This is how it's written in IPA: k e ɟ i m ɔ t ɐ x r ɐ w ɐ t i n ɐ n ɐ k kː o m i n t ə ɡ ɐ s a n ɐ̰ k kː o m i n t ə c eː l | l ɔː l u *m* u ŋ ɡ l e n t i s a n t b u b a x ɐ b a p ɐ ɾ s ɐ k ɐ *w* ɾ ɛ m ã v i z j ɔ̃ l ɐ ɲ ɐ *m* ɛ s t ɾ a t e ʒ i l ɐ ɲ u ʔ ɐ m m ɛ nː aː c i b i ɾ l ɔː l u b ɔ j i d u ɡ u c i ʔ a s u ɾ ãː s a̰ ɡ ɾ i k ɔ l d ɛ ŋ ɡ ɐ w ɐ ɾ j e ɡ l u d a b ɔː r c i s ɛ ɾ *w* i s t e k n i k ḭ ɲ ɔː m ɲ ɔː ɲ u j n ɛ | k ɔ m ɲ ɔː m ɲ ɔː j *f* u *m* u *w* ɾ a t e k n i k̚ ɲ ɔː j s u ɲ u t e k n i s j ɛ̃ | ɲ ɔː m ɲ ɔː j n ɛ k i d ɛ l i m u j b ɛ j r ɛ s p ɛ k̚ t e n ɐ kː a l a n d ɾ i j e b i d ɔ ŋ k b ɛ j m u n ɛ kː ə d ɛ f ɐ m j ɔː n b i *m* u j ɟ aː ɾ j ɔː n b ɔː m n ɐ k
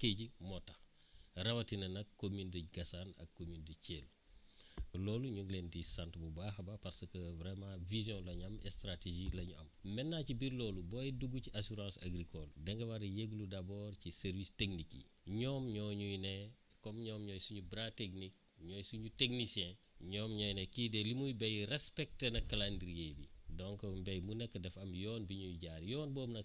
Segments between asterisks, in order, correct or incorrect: incorrect: ɲ, incorrect: v, correct, incorrect: v, incorrect: s, incorrect: ɲ, incorrect: b, incorrect: ɲ

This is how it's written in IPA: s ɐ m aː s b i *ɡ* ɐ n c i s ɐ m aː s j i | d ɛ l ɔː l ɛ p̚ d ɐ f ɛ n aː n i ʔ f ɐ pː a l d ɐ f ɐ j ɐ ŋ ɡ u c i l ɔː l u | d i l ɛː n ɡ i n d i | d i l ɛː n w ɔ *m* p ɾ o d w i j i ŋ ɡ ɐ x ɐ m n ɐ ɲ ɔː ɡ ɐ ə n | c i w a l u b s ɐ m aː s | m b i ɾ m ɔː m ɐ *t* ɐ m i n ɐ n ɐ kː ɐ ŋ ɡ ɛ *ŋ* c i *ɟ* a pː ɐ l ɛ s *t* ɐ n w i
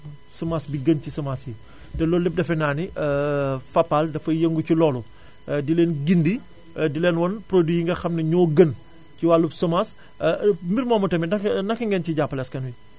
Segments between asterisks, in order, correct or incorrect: correct, incorrect: n, correct, incorrect: n, correct, incorrect: k

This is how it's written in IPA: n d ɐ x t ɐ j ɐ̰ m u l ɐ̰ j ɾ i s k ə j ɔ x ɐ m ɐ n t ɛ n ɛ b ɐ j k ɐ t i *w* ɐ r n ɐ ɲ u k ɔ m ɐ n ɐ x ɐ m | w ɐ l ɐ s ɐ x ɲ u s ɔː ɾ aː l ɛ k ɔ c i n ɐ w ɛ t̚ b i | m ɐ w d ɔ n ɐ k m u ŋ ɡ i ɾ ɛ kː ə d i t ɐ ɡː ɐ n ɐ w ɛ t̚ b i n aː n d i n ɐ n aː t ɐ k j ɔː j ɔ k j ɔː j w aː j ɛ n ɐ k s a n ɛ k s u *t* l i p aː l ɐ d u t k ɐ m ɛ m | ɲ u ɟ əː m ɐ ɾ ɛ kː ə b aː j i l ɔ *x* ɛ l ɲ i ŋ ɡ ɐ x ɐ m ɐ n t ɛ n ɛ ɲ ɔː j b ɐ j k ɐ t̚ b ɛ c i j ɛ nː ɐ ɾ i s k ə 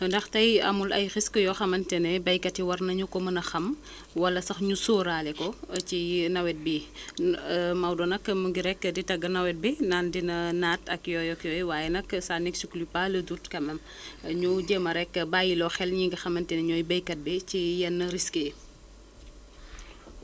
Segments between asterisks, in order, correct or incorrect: correct, incorrect: k, correct

